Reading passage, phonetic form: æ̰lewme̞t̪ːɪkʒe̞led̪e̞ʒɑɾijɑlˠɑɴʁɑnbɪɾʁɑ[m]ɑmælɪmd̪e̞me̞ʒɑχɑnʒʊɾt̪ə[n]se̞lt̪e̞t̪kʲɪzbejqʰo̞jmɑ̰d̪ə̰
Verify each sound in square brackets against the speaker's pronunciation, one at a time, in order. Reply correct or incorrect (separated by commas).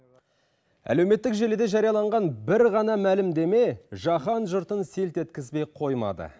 incorrect, correct